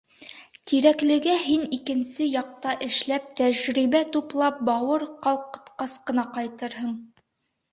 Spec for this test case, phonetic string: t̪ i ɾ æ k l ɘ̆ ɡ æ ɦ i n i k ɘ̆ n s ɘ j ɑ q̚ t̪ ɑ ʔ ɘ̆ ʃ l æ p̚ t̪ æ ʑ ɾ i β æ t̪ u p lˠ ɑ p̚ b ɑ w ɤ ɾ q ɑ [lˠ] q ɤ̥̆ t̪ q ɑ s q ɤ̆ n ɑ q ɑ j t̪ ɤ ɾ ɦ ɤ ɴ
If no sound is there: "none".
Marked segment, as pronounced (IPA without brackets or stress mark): lˠ